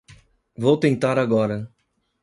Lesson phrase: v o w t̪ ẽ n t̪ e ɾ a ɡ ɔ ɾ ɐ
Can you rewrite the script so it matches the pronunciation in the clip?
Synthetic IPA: v o w t̪ ẽ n t̪ a ɾ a ɡ ɔ ɾ ɐ